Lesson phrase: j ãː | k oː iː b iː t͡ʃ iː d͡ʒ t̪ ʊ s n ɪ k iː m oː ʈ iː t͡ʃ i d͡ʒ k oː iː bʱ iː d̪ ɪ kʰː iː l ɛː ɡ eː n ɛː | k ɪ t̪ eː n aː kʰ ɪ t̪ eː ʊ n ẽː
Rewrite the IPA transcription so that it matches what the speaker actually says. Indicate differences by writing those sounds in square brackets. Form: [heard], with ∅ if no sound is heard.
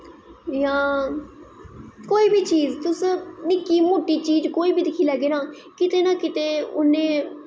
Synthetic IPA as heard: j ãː | k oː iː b iː t͡ʃ iː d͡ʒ t̪ ʊ s n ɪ k iː m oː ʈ iː t͡ʃ [iː] d͡ʒ k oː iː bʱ iː d̪ ɪ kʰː iː l ɛː ɡ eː n [aː] | k ɪ t̪ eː n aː [k] ɪ t̪ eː ʊ n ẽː